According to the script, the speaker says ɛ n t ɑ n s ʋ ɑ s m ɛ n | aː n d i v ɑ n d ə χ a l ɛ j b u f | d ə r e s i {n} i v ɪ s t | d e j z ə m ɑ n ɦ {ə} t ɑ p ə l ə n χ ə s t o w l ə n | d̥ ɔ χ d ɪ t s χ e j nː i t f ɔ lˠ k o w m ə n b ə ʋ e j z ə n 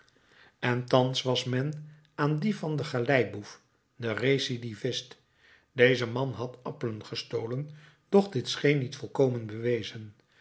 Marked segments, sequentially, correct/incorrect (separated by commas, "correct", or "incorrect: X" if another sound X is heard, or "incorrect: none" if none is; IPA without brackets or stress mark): incorrect: d, incorrect: ɑ